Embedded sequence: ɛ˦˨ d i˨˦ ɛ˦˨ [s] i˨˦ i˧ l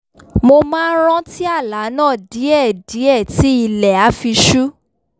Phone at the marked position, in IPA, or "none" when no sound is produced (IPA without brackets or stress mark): t